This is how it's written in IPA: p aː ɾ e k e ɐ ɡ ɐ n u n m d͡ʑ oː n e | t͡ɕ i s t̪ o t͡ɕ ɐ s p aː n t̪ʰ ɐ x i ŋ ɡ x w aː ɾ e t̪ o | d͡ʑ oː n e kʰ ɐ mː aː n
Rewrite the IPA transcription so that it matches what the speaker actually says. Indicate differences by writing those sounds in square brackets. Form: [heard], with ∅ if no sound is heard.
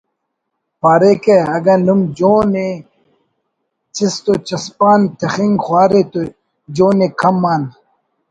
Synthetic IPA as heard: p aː ɾ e k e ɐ ɡ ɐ n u [∅] m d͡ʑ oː n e | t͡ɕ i s t̪ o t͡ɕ ɐ s p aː n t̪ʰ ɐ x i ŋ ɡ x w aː ɾ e t̪ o | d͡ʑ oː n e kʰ ɐ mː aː n